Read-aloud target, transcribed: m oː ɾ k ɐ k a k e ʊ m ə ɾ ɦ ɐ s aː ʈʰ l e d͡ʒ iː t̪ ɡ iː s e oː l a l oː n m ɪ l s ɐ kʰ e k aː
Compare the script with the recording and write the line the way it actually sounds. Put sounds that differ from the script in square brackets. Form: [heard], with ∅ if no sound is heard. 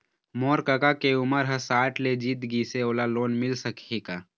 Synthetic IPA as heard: m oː ɾ k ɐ k a k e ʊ m ə ɾ ɦ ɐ s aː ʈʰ l e d͡ʒ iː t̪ ɡ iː s e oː l a l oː n m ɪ l s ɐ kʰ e k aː

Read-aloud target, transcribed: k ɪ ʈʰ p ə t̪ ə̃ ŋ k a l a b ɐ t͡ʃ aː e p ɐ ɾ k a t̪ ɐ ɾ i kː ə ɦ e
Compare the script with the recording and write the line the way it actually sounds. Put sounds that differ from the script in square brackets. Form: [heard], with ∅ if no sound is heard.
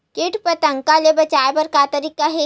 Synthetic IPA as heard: k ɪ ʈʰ p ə t̪ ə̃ ŋ k a l [e] b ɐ t͡ʃ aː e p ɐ ɾ k a t̪ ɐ ɾ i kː [a] ɦ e

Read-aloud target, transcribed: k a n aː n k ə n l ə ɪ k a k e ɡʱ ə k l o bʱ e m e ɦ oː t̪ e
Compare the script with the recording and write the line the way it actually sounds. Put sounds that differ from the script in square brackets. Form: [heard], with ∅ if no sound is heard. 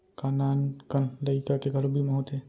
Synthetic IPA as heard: k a n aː n k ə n l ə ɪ k a k e ɡʱ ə [∅] l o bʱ [i] m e ɦ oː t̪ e

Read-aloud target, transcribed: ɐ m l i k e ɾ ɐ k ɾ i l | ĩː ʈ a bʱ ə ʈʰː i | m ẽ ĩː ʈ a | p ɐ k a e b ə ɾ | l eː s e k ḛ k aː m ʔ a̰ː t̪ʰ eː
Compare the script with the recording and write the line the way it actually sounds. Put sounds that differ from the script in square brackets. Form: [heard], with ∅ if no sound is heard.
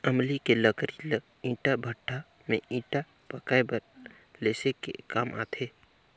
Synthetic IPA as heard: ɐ m l i k e [l] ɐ k ɾ i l | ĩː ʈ a bʱ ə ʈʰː [a] | m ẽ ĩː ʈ a | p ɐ k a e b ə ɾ | l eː s e k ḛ k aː m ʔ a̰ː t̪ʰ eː

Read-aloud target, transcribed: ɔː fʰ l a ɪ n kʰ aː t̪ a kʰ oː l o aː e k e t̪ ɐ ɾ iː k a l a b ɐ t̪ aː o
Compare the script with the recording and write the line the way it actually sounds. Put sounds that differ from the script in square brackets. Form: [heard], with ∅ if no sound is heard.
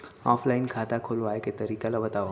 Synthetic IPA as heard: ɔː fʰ l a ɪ n kʰ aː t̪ a kʰ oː l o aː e k e t̪ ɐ ɾ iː k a l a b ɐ t̪ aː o

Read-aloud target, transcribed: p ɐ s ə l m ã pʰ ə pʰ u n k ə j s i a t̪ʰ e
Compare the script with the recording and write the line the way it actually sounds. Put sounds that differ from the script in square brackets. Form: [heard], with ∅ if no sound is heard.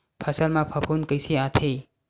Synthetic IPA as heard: [pʰ] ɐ s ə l m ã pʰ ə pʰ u n k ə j s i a t̪ʰ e

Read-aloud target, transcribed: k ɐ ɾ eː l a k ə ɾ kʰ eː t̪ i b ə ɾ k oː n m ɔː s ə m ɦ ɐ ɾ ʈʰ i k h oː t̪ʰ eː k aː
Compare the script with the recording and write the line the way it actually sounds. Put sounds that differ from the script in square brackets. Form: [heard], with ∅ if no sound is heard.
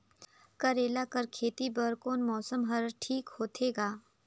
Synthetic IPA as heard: k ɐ ɾ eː l a k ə ɾ kʰ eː t̪ i b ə ɾ k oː n m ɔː s ə m ɦ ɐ ɾ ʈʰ [iː] k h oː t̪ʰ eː [ɡ] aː

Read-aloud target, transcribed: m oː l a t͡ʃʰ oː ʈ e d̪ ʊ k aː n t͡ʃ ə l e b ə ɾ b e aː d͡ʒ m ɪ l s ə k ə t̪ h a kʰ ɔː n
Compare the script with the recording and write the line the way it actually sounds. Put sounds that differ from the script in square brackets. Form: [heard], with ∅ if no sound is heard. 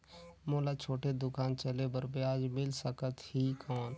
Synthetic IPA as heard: m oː l a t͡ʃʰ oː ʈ e d̪ ʊ k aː n t͡ʃ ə l e b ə ɾ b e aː d͡ʒ m ɪ l s ə k ə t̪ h [i] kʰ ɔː n

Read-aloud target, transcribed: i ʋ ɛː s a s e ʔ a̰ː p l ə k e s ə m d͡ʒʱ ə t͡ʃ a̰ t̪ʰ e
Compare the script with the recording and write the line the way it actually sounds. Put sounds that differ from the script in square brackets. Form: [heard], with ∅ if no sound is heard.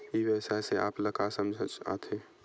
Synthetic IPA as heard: i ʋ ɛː s a s e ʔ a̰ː p l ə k [a] s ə m d͡ʒʱ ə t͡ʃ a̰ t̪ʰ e

